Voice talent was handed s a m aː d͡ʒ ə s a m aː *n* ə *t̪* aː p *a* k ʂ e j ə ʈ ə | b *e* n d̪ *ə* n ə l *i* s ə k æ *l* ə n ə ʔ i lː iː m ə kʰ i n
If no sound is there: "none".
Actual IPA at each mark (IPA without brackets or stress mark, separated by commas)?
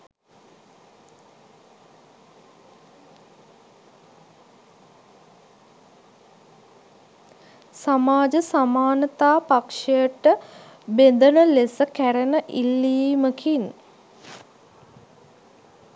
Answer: n, t̪, a, e, ə, e, ɾ